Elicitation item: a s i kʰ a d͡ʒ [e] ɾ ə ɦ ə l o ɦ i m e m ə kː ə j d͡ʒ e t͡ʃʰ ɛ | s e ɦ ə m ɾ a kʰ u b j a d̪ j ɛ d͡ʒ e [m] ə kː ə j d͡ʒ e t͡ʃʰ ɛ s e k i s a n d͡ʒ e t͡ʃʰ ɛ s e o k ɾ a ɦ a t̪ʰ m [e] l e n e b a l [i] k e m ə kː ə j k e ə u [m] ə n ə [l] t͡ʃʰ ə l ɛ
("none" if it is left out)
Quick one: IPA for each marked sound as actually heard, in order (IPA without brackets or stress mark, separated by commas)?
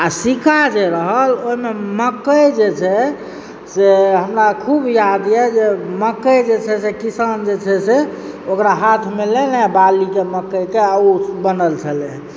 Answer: e, m, e, i, b, l